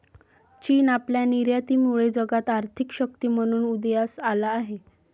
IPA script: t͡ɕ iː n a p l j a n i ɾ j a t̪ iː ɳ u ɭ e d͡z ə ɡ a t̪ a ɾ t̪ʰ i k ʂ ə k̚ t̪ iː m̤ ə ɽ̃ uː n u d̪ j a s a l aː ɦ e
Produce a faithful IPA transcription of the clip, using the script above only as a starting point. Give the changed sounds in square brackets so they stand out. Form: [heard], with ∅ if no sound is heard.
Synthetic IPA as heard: t͡ɕ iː n a p l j a n i ɾ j a t̪ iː [m] u ɭ e d͡z ə ɡ a t̪ a ɾ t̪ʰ i k [ɕ] ə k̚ t̪ iː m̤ ə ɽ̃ uː n u d̪ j a s a l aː ɦ e